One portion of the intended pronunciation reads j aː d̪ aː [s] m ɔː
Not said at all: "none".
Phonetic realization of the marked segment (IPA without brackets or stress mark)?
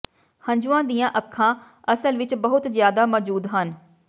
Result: none